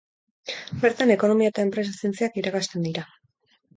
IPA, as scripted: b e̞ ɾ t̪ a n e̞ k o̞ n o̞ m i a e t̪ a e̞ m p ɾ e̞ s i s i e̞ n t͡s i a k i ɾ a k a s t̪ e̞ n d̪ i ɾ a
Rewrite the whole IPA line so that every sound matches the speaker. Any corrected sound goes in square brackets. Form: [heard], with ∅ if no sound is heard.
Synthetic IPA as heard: b e̞ ɾ t̪ a n e̞ k o̞ n o̞ m i a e t̪ a e̞ m p ɾ e̞ s [a] s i e̞ n t͡s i a k i ɾ a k a s t̪ e̞ n d̪ i ɾ a

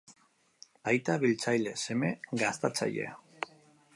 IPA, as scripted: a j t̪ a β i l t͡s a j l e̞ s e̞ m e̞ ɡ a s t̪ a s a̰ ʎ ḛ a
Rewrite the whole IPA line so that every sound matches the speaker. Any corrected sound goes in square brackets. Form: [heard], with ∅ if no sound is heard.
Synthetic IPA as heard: a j t̪ a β i l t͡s a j l e̞ s e̞ m e̞ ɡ a s t̪ a [t͡s] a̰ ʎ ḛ a

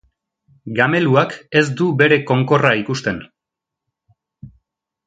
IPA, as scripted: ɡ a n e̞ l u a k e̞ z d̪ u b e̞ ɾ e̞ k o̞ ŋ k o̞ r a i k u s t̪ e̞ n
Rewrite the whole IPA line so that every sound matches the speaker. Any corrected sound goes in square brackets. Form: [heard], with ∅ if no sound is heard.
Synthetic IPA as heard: ɡ a [m] e̞ l u a k e̞ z d̪ u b e̞ ɾ e̞ k o̞ ŋ k o̞ r a i k u s t̪ e̞ n

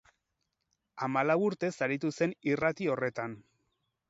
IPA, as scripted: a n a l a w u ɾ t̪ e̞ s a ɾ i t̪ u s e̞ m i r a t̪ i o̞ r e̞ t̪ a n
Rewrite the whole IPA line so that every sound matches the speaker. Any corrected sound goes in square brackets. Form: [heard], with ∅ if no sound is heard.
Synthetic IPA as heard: a [m] a l a w u ɾ t̪ e̞ s a ɾ i t̪ u s e̞ [n] i r a t̪ i o̞ r e̞ t̪ a n

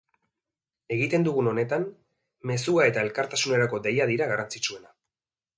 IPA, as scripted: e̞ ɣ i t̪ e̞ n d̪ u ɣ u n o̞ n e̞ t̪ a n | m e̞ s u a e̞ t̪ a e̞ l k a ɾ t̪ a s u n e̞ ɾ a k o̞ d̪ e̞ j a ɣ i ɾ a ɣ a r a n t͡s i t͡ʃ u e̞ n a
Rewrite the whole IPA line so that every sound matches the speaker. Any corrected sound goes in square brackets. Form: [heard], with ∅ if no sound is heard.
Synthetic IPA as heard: e̞ ɣ i t̪ e̞ n d̪ u ɣ u n o̞ n e̞ t̪ a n | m e̞ s u a e̞ t̪ a e̞ l k a ɾ t̪ a s u n e̞ ɾ a k o̞ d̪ e̞ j a [ð] i ɾ a ɣ a r a n t͡s i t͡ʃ u e̞ n a

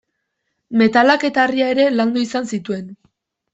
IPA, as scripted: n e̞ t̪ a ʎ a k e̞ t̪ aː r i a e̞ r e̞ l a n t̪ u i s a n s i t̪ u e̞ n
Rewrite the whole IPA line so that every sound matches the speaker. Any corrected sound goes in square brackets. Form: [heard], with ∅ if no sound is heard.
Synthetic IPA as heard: [m] e̞ t̪ a [l] a k e̞ t̪ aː r i a e̞ [ɾ] e̞ l a n [d̪] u i s a n s i t̪ u e̞ n

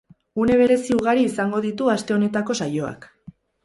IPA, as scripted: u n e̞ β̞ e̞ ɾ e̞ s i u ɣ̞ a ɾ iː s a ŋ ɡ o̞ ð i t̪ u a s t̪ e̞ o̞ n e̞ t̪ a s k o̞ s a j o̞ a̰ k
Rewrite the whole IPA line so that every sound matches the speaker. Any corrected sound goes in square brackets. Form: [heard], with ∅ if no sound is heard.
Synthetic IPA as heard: u n e̞ β̞ e̞ ɾ e̞ s i u ɣ̞ a ɾ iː s a ŋ ɡ o̞ ð i t̪ u a s t̪ e̞ o̞ n e̞ t̪ a [∅] k o̞ s a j o̞ a̰ k

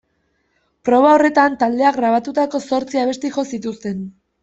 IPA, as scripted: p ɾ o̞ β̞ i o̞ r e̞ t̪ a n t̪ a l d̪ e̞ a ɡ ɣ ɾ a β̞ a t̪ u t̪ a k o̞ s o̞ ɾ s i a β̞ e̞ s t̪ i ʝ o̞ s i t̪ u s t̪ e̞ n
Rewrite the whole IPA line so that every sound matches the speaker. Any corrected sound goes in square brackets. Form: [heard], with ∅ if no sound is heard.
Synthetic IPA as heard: p ɾ o̞ β̞ [a] o̞ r e̞ t̪ a n t̪ a l d̪ e̞ a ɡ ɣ ɾ a β̞ a t̪ u t̪ a k o̞ s o̞ ɾ [t͡s] i a β̞ e̞ s t̪ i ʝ o̞ s i t̪ u s t̪ e̞ n

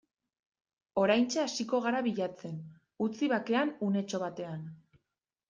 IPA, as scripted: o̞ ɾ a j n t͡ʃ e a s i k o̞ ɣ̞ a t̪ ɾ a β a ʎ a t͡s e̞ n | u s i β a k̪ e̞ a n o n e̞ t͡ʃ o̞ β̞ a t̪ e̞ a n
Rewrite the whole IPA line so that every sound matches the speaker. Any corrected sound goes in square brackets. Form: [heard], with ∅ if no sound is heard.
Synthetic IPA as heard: o̞ ɾ a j n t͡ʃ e a s i k o̞ ɣ̞ a [∅] ɾ a β [i] ʎ a t͡s e̞ n | u [t͡s] i β a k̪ e̞ a n [u] n e̞ t͡ʃ o̞ β̞ a t̪ e̞ a n

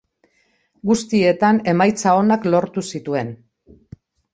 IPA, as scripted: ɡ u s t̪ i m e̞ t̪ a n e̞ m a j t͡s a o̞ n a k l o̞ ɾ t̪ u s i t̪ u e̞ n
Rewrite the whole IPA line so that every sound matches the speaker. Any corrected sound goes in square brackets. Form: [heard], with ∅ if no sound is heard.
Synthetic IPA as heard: ɡ u s t̪ i [∅] e̞ t̪ a n e̞ m a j t͡s a o̞ n a k l o̞ ɾ t̪ u s i t̪ u e̞ n

